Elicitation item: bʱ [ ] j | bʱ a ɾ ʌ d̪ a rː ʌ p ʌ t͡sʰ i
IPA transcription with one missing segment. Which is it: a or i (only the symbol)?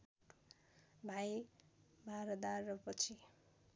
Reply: a